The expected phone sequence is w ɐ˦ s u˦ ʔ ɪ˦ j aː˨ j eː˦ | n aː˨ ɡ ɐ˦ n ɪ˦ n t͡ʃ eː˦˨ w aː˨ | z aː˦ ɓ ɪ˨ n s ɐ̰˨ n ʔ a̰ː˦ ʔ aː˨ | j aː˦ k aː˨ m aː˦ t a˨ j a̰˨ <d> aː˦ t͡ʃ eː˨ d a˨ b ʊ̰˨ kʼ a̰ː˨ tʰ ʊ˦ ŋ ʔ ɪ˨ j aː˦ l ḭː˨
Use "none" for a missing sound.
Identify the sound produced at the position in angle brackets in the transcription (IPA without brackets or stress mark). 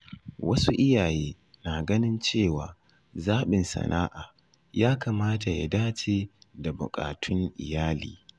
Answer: d